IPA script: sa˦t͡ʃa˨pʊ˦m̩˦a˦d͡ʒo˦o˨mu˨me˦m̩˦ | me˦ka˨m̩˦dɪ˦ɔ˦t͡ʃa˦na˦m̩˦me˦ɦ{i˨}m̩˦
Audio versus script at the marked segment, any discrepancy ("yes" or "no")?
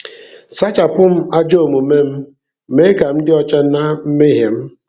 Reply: yes